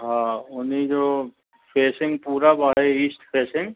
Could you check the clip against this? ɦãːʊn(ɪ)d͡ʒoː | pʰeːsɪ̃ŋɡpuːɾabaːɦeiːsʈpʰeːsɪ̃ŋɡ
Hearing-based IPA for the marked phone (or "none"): i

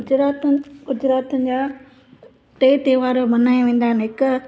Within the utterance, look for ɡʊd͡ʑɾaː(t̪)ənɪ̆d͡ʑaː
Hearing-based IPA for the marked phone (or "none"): t̪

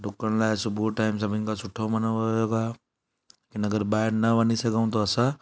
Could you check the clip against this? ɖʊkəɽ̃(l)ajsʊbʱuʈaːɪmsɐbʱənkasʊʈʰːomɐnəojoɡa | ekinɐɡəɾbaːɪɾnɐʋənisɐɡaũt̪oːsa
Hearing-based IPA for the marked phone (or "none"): l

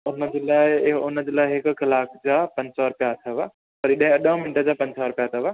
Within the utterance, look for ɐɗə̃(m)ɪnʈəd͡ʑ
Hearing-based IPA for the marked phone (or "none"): m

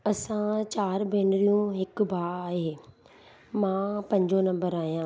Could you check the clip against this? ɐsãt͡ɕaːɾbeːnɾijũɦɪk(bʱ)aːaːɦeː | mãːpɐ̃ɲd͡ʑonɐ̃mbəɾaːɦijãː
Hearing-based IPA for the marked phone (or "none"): bʱ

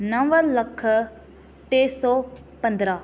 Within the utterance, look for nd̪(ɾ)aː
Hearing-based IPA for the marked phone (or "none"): ɾ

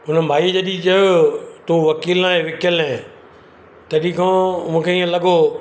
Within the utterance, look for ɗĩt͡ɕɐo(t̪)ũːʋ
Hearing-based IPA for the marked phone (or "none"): t̪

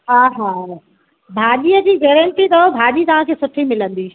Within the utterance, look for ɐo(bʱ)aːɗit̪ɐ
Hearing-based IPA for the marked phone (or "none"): bʱ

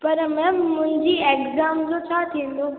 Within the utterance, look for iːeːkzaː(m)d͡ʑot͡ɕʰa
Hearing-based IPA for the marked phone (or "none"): m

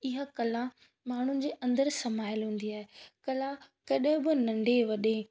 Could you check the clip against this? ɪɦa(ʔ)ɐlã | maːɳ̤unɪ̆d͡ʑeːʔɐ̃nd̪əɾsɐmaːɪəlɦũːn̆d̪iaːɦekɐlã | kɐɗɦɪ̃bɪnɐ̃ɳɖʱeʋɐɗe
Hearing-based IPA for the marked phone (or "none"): k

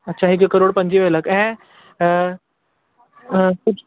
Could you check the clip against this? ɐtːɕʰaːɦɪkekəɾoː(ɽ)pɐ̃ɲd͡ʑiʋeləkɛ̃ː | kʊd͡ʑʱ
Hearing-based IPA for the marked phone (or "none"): ɽ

